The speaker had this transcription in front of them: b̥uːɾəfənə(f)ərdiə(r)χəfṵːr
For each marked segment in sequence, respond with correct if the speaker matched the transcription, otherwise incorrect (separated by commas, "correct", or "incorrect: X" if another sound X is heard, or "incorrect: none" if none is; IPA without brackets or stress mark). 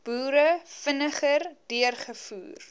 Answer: incorrect: χ, correct